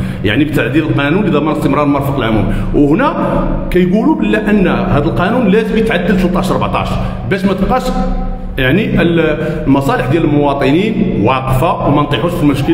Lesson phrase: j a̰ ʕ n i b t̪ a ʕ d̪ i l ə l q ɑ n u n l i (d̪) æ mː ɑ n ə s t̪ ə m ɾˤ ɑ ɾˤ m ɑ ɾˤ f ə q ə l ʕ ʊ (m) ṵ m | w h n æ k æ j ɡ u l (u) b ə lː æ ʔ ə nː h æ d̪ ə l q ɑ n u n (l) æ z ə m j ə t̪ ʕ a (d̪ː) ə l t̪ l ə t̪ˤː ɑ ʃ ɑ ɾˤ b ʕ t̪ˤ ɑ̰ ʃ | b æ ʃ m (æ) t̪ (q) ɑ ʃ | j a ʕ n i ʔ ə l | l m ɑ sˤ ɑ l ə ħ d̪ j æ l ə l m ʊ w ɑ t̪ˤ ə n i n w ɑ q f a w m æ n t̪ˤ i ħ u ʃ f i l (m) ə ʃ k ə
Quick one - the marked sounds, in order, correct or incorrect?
correct, correct, correct, correct, correct, correct, correct, correct

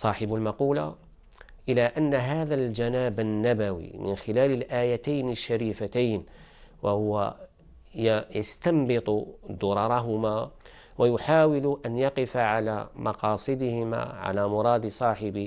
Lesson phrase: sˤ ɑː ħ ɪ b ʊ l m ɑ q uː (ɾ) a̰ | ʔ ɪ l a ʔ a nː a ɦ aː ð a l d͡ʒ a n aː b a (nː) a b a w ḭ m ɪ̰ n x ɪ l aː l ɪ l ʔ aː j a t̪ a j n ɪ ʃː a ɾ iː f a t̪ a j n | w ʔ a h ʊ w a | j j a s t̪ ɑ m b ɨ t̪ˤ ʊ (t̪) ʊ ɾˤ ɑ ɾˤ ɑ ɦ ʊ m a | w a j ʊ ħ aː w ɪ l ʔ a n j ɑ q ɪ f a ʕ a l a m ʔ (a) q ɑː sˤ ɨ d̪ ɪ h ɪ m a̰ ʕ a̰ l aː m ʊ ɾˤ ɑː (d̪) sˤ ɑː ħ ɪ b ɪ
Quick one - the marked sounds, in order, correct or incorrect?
incorrect: l, correct, incorrect: d̪, incorrect: ɑ, correct

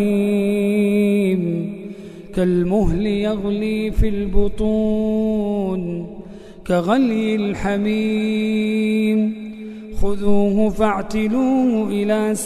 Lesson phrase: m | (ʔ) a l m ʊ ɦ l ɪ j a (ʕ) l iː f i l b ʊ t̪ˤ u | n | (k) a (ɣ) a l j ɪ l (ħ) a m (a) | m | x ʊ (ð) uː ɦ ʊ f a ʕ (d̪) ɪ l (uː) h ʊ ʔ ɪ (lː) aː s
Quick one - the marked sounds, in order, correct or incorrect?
incorrect: k, incorrect: ɣ, correct, correct, correct, incorrect: i, correct, incorrect: t̪, correct, incorrect: l

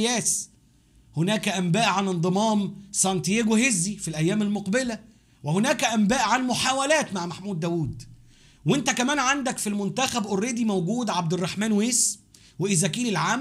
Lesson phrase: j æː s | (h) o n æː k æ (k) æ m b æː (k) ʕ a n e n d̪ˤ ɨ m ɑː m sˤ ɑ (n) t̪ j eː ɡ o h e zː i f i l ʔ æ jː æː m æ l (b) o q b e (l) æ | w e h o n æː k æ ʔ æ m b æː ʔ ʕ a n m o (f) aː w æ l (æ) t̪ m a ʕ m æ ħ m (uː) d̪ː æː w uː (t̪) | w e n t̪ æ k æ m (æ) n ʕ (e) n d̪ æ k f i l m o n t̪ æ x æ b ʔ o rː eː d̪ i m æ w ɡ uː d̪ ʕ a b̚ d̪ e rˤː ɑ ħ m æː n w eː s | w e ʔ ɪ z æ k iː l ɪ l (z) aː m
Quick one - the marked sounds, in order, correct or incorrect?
correct, incorrect: ʔ, incorrect: ʔ, correct, incorrect: m, correct, incorrect: ħ, incorrect: æː, correct, incorrect: d̪, incorrect: æː, incorrect: a, incorrect: ʕ

